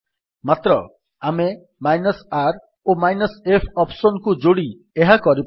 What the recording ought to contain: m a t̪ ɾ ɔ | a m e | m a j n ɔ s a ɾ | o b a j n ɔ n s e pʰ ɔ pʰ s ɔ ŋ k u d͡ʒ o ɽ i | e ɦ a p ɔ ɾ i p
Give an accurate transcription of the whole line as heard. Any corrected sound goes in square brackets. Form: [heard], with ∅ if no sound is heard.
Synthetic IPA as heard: m a t̪ ɾ ɔ | a m e | m a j n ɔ s a ɾ | o [m] a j n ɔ [∅] s e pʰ ɔ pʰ s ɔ [n] k u d͡ʒ o ɽ i | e ɦ a [k] ɔ ɾ i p

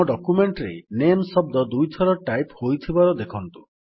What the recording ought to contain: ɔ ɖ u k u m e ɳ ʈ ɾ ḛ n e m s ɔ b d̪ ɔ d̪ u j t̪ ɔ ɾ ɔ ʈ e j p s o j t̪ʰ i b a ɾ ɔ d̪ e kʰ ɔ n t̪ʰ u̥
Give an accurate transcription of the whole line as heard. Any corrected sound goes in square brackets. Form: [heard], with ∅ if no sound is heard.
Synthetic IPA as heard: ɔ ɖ [ɔ] k u m e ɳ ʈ ɾ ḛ n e m s ɔ b d̪ ɔ d̪ u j [t̪ʰ] ɔ ɾ ɔ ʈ [a] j p [h] o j t̪ʰ i b a ɾ ɔ d̪ e kʰ ɔ n [t̪] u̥

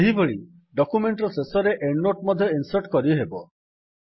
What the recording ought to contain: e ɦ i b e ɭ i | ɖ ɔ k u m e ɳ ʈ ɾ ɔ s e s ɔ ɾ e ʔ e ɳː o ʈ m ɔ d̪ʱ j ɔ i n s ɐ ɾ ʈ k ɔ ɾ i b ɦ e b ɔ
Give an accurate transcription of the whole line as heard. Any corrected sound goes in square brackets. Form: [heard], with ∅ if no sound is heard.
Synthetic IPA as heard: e ɦ i b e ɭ i | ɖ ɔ k u m e ɳ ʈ ɾ ɔ s e s ɔ ɾ e ʔ e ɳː o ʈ m ɔ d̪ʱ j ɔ i n s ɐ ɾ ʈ k ɔ ɾ i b ɦ e b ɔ

